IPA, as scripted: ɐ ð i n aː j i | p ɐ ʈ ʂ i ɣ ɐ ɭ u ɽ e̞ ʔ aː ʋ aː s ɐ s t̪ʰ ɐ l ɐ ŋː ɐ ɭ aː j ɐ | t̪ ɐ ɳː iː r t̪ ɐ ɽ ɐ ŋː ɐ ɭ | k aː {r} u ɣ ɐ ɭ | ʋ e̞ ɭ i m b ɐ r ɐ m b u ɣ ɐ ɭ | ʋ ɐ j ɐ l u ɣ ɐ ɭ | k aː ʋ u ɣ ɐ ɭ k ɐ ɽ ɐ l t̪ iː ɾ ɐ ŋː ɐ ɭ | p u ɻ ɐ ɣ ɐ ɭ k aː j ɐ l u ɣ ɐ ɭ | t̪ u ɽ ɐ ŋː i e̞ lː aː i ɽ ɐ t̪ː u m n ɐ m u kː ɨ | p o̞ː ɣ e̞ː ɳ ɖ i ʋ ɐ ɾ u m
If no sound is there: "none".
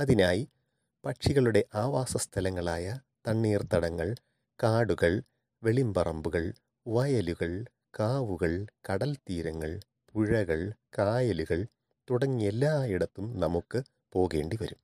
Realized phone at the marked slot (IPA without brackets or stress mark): ɽ